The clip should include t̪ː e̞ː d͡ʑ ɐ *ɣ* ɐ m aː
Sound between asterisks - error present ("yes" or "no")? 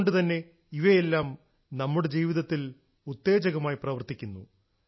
no